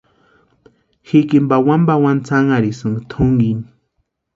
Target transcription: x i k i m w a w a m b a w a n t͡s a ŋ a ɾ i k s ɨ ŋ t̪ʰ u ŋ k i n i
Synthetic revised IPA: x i k i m b a w a m b a w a n t͡s a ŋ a ɾ i s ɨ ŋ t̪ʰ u ŋ ɡ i n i